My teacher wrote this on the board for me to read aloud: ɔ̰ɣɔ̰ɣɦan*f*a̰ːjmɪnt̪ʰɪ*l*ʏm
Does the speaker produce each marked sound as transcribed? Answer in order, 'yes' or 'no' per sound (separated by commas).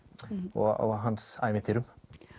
no, no